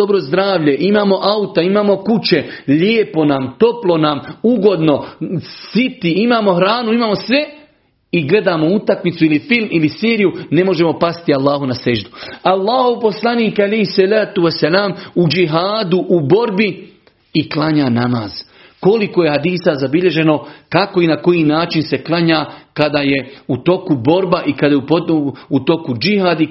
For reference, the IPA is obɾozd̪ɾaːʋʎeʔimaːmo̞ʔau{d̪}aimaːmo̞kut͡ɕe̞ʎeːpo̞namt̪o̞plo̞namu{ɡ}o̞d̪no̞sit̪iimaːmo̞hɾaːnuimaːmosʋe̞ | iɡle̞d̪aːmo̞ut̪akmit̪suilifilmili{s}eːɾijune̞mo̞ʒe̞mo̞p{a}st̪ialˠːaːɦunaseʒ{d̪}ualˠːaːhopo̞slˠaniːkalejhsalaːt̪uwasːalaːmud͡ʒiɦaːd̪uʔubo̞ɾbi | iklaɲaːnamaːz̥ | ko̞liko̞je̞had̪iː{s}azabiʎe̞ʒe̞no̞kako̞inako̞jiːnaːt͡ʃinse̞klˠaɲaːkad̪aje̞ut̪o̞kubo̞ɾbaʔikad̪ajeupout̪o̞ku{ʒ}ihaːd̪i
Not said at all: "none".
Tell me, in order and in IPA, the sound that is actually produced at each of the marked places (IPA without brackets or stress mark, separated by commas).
t̪, ɡ, s, a, d̪, s, d͡ʒ